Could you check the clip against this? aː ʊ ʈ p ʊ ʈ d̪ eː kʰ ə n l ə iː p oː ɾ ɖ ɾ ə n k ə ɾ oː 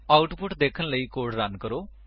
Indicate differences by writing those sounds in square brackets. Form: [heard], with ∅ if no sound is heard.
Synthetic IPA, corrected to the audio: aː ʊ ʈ p ʊ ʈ d̪ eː kʰ ə n l ə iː [k] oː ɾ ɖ ɾ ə n k ə ɾ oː